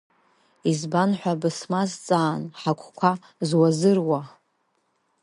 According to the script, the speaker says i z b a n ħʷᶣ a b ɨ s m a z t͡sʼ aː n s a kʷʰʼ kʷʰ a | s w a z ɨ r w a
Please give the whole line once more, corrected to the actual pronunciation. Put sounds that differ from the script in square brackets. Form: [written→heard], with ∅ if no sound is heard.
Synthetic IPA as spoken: i z b a n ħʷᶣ a b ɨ s m a z t͡sʼ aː n [s→ħ] a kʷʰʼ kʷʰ a | [s→z] w a z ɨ r w a